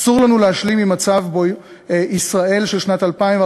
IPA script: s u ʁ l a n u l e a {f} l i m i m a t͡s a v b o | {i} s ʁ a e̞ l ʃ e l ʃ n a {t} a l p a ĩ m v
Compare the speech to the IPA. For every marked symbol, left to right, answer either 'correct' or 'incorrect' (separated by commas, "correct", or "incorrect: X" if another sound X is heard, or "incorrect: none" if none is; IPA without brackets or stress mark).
incorrect: ʃ, correct, correct